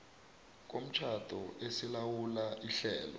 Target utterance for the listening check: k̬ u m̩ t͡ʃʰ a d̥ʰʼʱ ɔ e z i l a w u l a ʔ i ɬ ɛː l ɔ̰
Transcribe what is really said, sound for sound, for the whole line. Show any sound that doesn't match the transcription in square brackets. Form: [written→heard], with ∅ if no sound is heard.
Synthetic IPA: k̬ [u→o] m̩ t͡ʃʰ a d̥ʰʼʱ ɔ e [z→s] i l a w u l a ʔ i ɬ ɛː l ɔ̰